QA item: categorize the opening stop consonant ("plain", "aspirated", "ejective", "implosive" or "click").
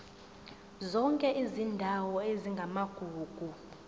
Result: ejective